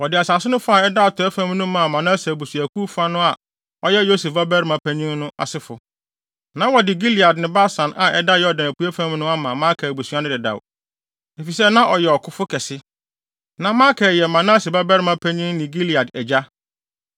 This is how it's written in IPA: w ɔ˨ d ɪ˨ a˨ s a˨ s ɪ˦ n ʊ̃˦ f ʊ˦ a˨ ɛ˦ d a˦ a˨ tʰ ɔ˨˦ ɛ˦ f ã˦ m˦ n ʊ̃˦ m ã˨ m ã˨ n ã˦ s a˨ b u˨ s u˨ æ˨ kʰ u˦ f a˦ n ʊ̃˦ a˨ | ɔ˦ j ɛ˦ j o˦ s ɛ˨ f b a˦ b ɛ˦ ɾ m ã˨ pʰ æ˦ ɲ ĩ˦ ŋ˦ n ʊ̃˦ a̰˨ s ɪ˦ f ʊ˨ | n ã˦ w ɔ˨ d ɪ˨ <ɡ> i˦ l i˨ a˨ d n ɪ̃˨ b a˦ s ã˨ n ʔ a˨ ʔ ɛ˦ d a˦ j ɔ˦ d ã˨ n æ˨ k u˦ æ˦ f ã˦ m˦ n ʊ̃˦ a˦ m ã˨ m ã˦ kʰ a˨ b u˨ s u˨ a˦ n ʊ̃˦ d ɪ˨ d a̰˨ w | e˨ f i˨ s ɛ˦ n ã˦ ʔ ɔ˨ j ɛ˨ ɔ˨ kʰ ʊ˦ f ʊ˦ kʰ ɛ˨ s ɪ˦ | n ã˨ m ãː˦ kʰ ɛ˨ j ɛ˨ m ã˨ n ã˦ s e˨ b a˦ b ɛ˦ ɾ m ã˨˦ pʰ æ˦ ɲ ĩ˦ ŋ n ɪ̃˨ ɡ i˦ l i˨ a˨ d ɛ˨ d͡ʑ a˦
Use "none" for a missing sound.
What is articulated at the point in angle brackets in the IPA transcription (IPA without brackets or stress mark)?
ɡ